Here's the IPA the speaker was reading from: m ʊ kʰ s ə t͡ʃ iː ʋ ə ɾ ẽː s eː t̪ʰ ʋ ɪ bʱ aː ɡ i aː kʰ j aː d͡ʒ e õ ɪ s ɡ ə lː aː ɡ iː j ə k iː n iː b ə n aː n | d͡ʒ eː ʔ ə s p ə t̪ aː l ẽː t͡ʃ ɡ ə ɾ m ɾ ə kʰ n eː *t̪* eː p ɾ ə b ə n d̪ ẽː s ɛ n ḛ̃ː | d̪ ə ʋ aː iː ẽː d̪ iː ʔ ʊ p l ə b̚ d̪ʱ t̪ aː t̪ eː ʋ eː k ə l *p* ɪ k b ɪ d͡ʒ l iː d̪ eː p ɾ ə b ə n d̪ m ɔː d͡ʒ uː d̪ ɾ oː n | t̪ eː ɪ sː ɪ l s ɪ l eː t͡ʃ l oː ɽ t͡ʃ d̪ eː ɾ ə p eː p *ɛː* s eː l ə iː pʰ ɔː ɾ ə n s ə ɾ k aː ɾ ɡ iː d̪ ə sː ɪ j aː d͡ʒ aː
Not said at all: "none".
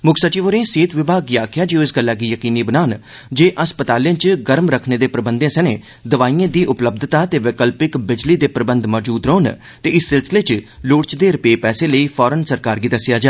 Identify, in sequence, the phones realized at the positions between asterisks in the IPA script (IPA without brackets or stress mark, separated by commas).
d̪, p, ɛː